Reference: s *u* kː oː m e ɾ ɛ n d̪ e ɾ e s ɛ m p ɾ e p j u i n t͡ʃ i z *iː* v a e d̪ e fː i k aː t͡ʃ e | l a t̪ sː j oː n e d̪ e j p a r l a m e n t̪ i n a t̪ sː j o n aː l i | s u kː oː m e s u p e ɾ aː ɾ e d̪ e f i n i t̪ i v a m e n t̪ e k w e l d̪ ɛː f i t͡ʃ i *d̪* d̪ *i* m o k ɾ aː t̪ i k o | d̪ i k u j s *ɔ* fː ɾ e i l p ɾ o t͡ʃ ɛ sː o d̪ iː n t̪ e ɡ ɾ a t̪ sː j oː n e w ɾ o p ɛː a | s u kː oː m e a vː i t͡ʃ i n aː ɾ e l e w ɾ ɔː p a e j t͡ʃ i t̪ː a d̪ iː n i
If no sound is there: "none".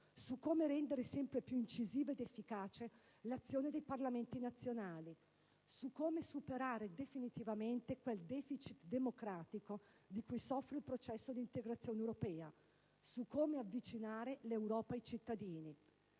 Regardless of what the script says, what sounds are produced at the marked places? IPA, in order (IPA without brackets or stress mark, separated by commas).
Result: u, iː, t̪, e, ɔ